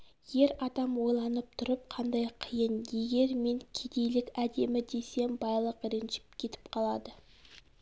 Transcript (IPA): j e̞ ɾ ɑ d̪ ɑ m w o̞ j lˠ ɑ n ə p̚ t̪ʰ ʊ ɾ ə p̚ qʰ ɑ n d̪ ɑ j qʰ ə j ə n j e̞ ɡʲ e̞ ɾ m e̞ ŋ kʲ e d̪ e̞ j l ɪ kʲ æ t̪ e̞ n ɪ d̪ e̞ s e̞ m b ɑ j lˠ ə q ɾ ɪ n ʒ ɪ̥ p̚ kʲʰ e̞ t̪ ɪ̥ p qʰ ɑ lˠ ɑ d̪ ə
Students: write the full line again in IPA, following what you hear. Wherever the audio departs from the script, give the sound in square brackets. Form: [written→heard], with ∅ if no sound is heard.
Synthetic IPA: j e̞ ɾ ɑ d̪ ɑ m w o̞ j lˠ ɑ n ə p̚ t̪ʰ ʊ ɾ ə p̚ qʰ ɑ n d̪ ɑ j qʰ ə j ə n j e̞ ɡʲ e̞ ɾ m e̞ ŋ [kʲ→kʲʰ] e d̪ e̞ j l ɪ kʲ æ [t̪→d̪] e̞ [n→m] ɪ d̪ e̞ s e̞ m b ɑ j lˠ ə q ɾ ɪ n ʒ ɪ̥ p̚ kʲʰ e̞ t̪ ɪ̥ p qʰ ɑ lˠ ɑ d̪ ə